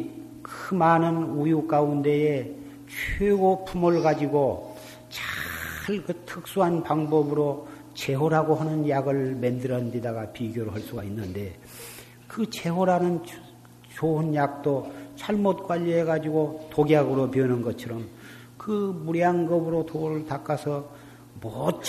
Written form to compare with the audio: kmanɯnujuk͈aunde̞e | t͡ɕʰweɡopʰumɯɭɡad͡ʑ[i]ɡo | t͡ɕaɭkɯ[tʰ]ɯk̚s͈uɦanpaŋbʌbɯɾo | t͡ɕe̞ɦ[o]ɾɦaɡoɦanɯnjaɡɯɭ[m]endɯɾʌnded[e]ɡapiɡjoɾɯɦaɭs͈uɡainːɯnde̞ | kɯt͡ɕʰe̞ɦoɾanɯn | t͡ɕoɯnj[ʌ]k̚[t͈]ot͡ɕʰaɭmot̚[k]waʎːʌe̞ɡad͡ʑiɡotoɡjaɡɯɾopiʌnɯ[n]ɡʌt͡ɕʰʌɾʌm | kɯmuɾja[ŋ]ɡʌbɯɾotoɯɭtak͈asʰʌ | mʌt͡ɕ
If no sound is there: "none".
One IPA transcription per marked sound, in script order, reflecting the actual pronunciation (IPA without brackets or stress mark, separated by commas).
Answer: i, tʰ, o, m, a, a, t͈, k, n, ŋ